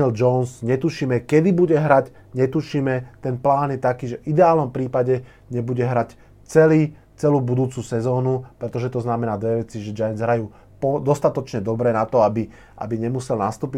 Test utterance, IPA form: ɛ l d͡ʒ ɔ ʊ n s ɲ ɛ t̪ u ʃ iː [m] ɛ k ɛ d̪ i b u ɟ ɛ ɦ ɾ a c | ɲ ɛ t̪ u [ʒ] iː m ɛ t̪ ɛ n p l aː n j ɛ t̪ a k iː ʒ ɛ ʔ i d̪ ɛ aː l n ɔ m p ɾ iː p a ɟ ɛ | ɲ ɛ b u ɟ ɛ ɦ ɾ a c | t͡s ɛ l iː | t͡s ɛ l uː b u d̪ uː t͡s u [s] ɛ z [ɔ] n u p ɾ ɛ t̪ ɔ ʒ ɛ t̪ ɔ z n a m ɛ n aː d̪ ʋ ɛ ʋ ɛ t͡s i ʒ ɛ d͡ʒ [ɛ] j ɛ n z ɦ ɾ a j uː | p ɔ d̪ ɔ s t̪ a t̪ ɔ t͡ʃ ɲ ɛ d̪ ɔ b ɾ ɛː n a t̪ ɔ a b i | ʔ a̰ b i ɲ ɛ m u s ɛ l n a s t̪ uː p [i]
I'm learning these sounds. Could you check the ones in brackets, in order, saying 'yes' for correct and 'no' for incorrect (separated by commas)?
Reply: yes, no, yes, no, no, yes